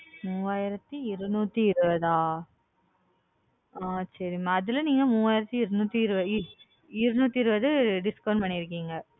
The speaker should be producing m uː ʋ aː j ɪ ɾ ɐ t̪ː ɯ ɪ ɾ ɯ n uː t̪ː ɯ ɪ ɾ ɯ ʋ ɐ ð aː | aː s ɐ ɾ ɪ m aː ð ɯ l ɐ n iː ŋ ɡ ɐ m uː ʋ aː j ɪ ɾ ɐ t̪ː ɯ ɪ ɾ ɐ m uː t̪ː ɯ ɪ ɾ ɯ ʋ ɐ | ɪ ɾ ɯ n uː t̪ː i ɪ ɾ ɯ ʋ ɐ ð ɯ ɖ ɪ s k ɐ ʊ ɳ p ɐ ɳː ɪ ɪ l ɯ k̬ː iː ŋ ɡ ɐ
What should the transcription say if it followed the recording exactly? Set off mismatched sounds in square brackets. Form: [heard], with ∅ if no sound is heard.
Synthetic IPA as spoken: m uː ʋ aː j ɪ ɾ ɐ t̪ː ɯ ɪ ɾ ɯ n uː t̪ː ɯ ɪ ɾ ɯ ʋ ɐ ð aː | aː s ɐ ɾ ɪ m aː ð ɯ l ɐ n iː ŋ ɡ ɐ m uː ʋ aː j ɪ ɾ ɐ t̪ː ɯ ɪ ɾ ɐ [n] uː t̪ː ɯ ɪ ɾ ɯ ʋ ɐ | ɪ ɾ ɯ n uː t̪ː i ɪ ɾ ɯ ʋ ɐ ð ɯ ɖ ɪ s k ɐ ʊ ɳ p ɐ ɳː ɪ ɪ [ɾ] ɯ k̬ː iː ŋ ɡ ɐ